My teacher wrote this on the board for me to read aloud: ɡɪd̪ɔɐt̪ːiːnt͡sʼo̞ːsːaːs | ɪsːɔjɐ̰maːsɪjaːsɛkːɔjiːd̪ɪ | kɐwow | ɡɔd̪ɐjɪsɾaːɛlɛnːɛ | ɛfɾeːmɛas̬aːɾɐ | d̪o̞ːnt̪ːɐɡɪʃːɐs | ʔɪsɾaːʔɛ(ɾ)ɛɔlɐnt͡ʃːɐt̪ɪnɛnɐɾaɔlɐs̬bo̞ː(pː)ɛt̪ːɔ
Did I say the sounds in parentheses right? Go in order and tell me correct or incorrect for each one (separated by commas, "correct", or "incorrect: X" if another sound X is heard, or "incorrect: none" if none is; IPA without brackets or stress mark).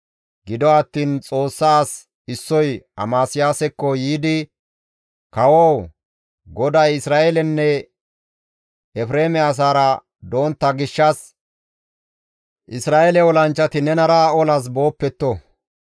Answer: incorrect: l, correct